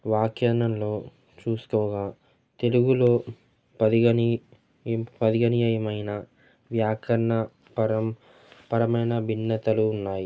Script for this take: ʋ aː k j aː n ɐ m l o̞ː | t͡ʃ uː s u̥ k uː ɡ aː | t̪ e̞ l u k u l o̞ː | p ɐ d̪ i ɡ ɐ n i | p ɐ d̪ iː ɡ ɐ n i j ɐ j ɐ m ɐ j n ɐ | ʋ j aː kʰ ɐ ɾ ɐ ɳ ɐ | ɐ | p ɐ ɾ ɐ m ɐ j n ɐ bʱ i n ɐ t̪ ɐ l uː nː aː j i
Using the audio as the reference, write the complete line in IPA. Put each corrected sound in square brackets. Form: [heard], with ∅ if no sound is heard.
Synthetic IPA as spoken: ʋ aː k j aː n ɐ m l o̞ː | t͡ʃ uː s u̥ k [ɔː] ɡ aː | t̪ e̞ l u [ɡ] u l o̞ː | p ɐ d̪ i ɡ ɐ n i | p ɐ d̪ [i] ɡ ɐ n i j ɐ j ɐ m ɐ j n ɐ | ʋ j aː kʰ ɐ ɾ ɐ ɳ ɐ | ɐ | p ɐ ɾ ɐ m ɐ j n ɐ bʱ i [nː] ɐ t̪ ɐ l uː nː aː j i